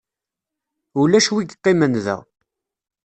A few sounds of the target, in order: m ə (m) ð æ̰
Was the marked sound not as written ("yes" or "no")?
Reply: yes